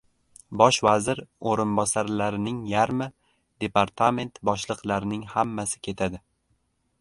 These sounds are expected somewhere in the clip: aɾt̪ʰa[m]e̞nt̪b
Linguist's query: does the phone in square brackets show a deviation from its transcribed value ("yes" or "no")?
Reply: no